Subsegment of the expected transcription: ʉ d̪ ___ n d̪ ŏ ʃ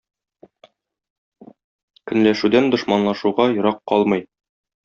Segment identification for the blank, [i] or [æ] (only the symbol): æ